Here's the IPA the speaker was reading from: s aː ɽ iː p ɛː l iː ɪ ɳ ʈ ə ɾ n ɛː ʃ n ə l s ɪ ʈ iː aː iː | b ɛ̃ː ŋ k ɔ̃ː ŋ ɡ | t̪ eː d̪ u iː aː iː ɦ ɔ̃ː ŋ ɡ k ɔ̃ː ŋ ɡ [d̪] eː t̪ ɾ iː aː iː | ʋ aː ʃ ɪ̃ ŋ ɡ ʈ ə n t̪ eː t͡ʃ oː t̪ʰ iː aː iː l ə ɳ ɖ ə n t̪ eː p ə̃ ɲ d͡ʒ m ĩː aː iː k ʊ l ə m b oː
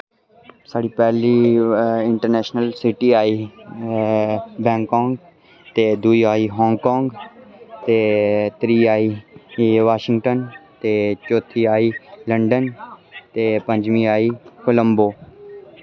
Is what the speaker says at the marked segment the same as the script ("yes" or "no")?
no